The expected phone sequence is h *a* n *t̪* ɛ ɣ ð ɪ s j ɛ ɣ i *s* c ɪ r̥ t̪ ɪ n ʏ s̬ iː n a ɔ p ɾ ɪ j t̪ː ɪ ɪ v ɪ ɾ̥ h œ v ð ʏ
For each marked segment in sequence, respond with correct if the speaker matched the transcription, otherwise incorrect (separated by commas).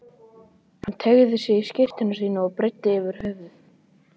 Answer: correct, incorrect, correct